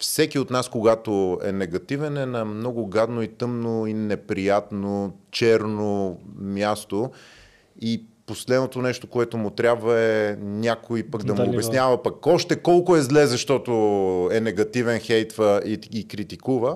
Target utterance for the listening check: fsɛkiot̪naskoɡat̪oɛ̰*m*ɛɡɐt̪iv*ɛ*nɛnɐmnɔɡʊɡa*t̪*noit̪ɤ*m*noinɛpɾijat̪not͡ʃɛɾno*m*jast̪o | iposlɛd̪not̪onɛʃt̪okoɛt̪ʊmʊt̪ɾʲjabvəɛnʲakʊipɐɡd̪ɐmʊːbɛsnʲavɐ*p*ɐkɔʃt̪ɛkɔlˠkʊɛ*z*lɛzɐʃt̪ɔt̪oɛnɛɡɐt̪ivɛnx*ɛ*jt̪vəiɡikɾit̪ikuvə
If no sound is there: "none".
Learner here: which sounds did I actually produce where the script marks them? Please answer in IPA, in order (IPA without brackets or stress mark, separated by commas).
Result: n, ɛ, d̪, m, m, p, z, ɛ